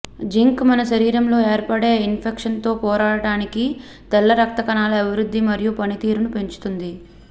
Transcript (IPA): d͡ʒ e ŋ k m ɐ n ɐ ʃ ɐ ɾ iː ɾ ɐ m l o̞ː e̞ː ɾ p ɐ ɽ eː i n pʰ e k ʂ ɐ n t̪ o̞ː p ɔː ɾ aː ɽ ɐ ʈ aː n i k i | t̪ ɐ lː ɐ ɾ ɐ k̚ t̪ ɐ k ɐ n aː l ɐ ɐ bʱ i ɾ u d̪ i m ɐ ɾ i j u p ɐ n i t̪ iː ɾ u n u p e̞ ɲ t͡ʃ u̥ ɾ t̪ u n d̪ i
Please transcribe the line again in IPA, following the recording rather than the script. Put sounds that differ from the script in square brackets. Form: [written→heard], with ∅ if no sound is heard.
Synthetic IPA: d͡ʒ [e→i] ŋ k m ɐ n ɐ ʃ ɐ ɾ iː ɾ ɐ m l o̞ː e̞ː ɾ p ɐ ɽ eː i n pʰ e k ʂ ɐ n t̪ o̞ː p ɔː ɾ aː ɽ ɐ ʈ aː n i k i | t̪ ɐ lː ɐ ɾ ɐ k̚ t̪ ɐ k ɐ n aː l ɐ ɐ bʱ i ɾ u [d̪→d̪ː] i m ɐ ɾ i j u p ɐ n i t̪ iː ɾ u n u p e̞ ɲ t͡ʃ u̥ [ɾ→∅] t̪ u n d̪ i

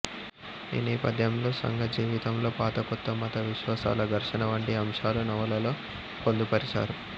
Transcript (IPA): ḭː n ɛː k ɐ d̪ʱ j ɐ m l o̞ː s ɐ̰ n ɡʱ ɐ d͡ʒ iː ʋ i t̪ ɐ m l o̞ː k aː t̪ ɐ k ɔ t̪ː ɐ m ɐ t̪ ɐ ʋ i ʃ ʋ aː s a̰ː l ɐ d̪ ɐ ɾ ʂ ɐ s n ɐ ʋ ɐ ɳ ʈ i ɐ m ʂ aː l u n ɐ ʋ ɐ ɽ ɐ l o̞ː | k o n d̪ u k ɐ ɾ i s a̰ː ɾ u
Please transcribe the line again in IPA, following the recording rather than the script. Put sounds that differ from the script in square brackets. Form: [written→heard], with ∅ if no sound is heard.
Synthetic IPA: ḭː n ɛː [k→p] ɐ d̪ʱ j ɐ m l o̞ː s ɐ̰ [n→ŋ] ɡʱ ɐ d͡ʒ iː ʋ i t̪ ɐ m l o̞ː [k→p] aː t̪ ɐ k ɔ t̪ː ɐ m ɐ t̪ ɐ ʋ i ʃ ʋ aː s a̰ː l ɐ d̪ ɐ ɾ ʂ ɐ [s→∅] n ɐ ʋ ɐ ɳ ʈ i ɐ m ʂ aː l u n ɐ ʋ ɐ [ɽ→l] ɐ l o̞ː | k o n d̪ u [k→p] ɐ ɾ i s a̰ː ɾ u

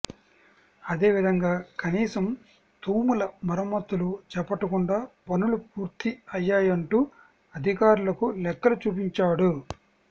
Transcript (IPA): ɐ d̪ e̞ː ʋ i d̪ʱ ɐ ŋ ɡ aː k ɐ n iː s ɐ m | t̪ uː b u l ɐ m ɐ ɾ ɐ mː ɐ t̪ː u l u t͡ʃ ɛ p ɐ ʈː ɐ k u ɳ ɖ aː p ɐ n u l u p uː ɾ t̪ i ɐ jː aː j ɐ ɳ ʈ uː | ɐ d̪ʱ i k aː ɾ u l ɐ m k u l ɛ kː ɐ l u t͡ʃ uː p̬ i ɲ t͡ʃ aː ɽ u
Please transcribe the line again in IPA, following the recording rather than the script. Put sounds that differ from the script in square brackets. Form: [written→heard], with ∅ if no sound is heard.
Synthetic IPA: ɐ d̪ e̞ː ʋ i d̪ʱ ɐ ŋ ɡ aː k ɐ n iː s ɐ m | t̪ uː [b→m] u l ɐ m ɐ ɾ ɐ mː ɐ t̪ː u l u t͡ʃ ɛ p ɐ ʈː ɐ k u ɳ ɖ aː p ɐ n u l u p uː ɾ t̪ i ɐ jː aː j ɐ ɳ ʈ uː | ɐ d̪ʱ i k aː ɾ u l ɐ [m→∅] k u l ɛ kː ɐ l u t͡ʃ uː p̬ i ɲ t͡ʃ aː ɽ u

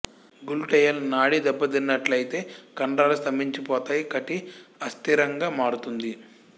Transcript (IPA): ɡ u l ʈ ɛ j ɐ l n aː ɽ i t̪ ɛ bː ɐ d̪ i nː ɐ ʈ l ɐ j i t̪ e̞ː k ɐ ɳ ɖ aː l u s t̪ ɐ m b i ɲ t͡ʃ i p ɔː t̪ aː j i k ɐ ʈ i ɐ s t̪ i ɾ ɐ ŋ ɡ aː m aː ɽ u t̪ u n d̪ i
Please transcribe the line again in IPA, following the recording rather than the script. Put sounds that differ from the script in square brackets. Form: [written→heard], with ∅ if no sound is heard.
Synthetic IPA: ɡ u l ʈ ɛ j ɐ l n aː ɽ i [t̪→d̪] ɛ bː ɐ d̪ i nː ɐ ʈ l ɐ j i t̪ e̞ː k ɐ ɳ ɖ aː l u s t̪ ɐ m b i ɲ t͡ʃ i p ɔː t̪ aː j i k ɐ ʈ i ɐ s t̪ i ɾ ɐ ŋ ɡ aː m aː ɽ u t̪ u n d̪ i

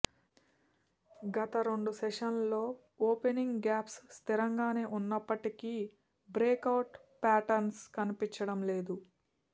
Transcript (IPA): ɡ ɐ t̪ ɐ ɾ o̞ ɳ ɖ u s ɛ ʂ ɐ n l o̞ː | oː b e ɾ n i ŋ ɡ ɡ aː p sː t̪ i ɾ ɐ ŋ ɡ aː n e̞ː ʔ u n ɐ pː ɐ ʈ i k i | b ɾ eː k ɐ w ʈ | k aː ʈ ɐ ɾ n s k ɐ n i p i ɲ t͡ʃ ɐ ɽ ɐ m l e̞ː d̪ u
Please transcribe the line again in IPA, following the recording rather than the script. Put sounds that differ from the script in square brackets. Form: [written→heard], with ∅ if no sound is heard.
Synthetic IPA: ɡ ɐ t̪ ɐ ɾ o̞ ɳ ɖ u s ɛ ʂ ɐ n l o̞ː | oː [b→p] e [ɾ→∅] n i ŋ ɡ ɡ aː p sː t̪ i ɾ ɐ ŋ ɡ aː n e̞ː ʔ u [n→nː] ɐ pː ɐ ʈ i k i | b ɾ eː k ɐ w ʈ | [k→p] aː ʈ ɐ ɾ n s k ɐ n i p i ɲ t͡ʃ ɐ ɽ ɐ m l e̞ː d̪ u

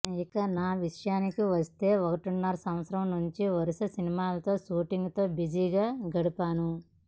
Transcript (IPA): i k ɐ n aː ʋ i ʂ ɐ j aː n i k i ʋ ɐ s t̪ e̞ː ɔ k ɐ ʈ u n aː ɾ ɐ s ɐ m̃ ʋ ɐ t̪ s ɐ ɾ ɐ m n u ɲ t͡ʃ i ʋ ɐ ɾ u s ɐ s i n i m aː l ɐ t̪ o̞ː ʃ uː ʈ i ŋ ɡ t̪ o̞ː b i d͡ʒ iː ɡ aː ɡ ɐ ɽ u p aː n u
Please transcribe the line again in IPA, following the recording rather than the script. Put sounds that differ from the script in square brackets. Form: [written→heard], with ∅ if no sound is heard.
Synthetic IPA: i k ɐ n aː ʋ i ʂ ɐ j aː n i k i ʋ ɐ s t̪ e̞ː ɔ k ɐ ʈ u [n→nː] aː ɾ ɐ s ɐ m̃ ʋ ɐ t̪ s ɐ ɾ ɐ m n u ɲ t͡ʃ i ʋ ɐ ɾ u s ɐ s i n i m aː l ɐ t̪ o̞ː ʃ uː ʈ i ŋ ɡ t̪ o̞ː b i d͡ʒ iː ɡ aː ɡ ɐ ɽ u p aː n u

